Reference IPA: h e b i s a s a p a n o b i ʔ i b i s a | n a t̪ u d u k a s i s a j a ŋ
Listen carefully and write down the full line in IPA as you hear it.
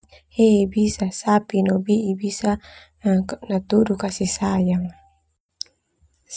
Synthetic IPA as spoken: h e b i s a s a p i n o b i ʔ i b i s a | n a t̪ u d u k a s i s a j a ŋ